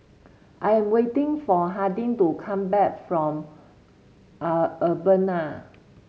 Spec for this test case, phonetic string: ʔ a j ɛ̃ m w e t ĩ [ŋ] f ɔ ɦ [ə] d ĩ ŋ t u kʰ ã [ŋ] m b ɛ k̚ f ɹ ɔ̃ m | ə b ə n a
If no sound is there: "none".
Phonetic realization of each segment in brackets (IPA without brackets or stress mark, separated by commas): ŋ, a, none